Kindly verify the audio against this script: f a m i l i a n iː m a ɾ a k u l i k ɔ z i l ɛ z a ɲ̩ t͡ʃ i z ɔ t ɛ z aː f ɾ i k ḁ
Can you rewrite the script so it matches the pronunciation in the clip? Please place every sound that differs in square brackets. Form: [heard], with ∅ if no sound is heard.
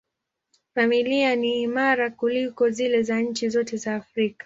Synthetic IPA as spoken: f a m i l i a n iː m a ɾ a k u l i k ɔ z i l ɛ z a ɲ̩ t͡ʃ i z ɔ t ɛ z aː f ɾ i k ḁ